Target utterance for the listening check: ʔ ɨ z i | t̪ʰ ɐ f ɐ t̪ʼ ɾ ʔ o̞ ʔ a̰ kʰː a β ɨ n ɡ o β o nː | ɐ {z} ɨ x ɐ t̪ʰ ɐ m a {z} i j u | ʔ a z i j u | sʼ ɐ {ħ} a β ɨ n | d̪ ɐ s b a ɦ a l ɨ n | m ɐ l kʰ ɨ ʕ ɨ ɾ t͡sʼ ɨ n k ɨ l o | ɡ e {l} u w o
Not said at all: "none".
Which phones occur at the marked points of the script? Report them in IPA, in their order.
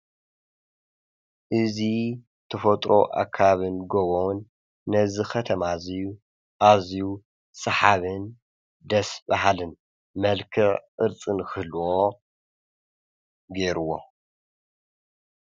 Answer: z, z, ħ, ɾ

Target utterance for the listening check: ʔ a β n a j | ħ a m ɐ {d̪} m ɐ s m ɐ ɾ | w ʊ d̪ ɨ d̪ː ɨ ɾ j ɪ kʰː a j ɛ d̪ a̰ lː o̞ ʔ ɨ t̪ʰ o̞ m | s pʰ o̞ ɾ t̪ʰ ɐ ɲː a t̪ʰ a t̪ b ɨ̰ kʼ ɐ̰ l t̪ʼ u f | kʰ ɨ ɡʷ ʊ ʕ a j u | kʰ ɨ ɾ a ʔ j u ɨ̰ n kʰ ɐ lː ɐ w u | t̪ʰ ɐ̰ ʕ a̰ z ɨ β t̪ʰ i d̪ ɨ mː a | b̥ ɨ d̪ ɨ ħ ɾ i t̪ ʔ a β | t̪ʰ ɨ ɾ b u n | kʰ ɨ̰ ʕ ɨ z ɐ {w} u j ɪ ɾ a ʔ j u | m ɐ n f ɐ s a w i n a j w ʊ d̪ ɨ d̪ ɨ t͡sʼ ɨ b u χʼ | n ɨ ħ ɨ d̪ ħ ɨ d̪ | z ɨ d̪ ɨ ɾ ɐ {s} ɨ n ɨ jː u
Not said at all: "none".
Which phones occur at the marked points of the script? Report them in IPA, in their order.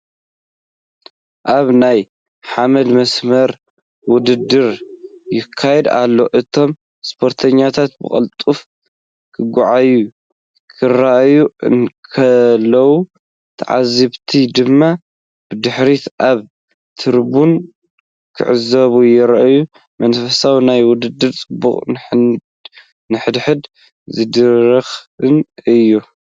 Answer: d̪, β, x

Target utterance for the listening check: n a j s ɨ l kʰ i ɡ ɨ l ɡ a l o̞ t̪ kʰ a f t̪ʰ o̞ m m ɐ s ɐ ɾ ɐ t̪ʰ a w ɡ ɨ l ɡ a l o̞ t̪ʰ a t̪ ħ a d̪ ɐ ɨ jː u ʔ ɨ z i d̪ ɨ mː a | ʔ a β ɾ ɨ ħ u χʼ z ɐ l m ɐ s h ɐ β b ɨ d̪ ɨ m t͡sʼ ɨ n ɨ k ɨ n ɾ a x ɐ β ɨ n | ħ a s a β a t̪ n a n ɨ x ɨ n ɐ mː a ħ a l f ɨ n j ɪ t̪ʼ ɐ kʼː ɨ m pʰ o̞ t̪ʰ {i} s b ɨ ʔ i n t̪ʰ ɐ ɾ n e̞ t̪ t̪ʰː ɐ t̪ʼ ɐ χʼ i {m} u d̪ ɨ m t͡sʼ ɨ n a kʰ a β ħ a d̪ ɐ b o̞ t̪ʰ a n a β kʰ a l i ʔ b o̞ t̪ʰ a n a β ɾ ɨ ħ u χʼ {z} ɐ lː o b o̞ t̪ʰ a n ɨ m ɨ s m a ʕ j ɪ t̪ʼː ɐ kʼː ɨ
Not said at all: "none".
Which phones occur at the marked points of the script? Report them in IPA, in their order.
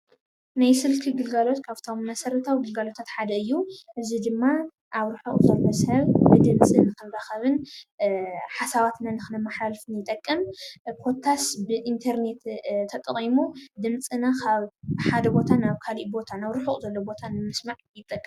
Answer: a, m, z

